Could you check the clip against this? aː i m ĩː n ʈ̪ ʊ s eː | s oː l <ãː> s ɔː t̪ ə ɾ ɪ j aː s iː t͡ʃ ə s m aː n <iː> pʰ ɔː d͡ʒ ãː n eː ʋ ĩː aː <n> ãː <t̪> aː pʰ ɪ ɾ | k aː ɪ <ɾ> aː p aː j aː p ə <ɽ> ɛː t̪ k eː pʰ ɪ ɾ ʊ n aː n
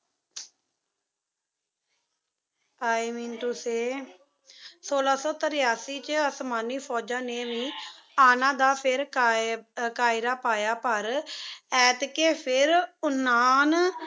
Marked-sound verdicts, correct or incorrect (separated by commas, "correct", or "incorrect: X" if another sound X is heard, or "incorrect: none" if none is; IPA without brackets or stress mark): incorrect: aː, correct, correct, incorrect: d̪, correct, incorrect: ɾ